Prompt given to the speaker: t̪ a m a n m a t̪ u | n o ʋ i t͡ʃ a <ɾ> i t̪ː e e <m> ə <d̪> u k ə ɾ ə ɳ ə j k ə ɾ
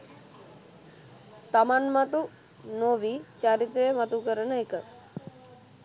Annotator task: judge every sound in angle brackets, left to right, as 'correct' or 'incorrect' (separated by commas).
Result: correct, correct, incorrect